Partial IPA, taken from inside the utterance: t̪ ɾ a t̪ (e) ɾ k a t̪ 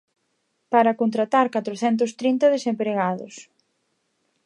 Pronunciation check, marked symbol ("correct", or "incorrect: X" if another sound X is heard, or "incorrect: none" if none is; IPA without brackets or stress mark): incorrect: a